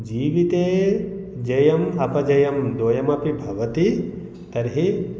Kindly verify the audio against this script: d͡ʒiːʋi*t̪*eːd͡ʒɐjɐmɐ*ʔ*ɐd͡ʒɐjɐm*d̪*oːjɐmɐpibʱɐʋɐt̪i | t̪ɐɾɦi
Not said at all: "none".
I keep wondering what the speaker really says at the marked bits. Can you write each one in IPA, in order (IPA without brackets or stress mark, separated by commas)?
t̪, p, d̪